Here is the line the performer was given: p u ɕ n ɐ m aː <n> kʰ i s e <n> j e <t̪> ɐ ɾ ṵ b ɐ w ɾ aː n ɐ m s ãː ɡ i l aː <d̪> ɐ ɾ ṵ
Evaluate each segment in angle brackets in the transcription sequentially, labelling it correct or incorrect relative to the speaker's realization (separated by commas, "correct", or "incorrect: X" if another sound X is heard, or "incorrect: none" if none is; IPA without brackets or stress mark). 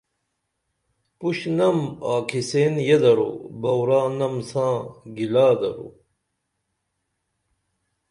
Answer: incorrect: none, correct, incorrect: d̪, correct